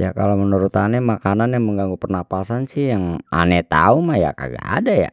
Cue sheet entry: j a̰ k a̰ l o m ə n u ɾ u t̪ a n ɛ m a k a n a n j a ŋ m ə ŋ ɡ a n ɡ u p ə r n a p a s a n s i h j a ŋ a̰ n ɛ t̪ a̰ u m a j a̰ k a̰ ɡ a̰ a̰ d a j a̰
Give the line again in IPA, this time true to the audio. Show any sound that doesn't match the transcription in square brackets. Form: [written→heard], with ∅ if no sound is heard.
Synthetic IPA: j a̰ k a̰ l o m ə n u ɾ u t̪ a n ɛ m a k a n a n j a ŋ m ə ŋ ɡ a [n→ŋ] ɡ u p ə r n a p a s a n s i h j a ŋ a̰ n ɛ t̪ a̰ u m a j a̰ k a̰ ɡ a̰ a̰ d a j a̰